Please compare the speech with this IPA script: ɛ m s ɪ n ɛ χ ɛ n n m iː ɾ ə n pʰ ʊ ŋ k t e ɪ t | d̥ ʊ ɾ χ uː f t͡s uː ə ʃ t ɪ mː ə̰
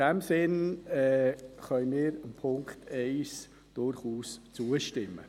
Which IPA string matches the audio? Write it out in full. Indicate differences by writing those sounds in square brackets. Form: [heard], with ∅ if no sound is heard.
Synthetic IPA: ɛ m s ɪ n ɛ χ [œ] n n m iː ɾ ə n pʰ ʊ ŋ k t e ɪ [s] | d̥ ʊ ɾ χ uː [s] t͡s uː ə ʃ t ɪ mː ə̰